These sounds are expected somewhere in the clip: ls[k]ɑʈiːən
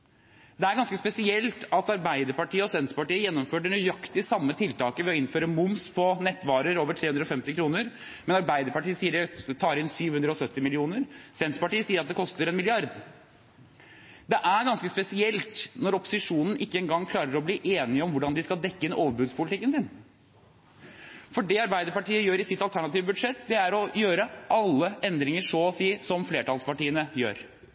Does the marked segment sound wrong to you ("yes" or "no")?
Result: yes